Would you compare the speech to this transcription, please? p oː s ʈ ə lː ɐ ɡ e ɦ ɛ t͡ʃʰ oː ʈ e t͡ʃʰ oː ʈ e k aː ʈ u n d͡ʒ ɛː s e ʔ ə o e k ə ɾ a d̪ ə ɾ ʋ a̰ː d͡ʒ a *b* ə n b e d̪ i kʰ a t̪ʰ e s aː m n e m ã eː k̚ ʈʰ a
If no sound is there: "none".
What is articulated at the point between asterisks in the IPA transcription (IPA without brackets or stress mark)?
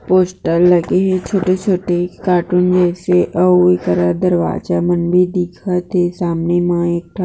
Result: m